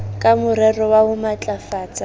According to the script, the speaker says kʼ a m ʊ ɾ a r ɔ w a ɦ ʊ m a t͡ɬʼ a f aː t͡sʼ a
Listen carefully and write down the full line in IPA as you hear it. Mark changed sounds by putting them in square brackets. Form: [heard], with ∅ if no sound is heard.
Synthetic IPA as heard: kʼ a m ʊ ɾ [ɛ] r ɔ w a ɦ ʊ m a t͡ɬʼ a f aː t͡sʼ a